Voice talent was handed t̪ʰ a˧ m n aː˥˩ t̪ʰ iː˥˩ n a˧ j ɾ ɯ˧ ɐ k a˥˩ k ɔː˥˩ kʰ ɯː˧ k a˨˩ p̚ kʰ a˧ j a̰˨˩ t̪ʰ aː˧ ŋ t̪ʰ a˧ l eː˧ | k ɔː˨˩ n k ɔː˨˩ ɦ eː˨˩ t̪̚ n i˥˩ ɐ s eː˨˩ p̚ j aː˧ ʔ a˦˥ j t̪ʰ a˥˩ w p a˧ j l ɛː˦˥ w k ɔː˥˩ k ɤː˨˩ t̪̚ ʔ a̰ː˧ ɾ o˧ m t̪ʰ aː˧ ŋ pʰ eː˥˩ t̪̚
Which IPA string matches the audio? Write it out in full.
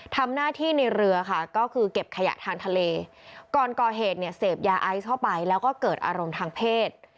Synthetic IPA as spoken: t̪ʰ a˧ m n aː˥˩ t̪ʰ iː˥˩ n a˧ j ɾ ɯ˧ ɐ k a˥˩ k ɔː˥˩ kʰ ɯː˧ k e˨˩ p̚ kʰ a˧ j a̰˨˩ t̪ʰ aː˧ ŋ t̪ʰ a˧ l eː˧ | k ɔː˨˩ n k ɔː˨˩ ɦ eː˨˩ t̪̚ n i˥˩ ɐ s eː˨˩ p̚ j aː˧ ʔ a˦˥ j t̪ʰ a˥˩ w p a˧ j l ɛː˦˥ w k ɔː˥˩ k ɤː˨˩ t̪̚ ʔ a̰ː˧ ɾ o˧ m t̪ʰ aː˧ ŋ pʰ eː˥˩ t̪̚